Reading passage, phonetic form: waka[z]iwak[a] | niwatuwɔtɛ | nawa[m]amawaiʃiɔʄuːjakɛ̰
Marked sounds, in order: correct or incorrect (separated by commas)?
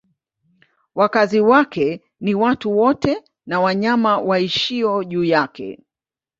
correct, incorrect, incorrect